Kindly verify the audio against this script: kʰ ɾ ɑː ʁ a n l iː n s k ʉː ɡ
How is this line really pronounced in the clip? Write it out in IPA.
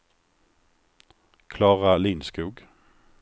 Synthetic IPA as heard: kʰ l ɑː ʁ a l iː n s k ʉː ɡ